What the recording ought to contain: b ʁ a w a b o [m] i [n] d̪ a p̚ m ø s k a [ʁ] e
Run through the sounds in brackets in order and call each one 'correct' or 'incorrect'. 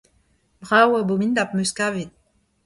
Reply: correct, correct, incorrect: v

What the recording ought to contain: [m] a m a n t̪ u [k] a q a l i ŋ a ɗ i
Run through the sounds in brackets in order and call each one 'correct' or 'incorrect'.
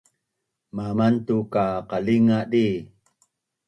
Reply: correct, correct

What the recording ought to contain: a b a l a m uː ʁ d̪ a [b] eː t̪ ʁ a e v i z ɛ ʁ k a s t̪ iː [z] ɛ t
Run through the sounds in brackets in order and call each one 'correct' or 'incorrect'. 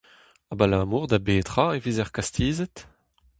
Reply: correct, correct

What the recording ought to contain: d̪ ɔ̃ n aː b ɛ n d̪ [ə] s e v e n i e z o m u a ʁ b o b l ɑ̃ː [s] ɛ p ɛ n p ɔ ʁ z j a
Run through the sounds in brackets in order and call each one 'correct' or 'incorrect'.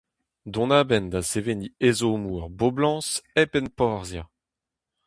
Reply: incorrect: a, correct

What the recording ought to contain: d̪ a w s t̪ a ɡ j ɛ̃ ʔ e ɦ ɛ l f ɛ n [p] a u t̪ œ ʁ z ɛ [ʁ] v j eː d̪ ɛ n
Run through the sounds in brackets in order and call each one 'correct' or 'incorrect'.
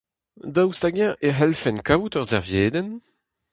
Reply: incorrect: k, correct

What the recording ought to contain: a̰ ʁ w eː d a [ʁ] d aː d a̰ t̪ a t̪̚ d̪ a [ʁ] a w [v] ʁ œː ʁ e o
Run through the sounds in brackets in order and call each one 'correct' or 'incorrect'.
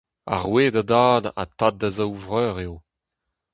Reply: incorrect: none, incorrect: z, correct

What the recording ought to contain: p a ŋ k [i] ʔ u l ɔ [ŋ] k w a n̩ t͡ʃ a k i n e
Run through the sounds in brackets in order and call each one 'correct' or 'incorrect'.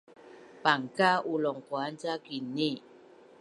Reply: incorrect: a, correct

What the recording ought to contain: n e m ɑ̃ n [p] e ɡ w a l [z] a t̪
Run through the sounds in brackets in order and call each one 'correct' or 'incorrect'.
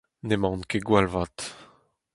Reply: incorrect: k, incorrect: v

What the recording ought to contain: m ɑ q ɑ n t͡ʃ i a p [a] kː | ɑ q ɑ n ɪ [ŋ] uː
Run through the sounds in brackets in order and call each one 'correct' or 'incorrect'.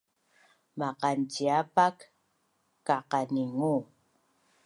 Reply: correct, correct

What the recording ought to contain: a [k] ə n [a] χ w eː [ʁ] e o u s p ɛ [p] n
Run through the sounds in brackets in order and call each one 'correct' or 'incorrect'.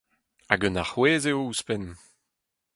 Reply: incorrect: ɡ, correct, incorrect: z, incorrect: none

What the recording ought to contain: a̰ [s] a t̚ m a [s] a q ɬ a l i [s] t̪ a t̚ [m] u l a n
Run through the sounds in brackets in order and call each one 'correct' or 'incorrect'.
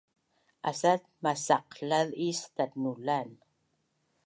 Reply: correct, correct, correct, incorrect: n

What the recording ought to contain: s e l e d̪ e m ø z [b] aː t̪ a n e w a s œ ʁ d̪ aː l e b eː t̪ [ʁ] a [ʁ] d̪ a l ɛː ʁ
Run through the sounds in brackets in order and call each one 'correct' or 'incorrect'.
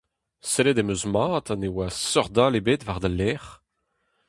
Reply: incorrect: m, incorrect: v, correct

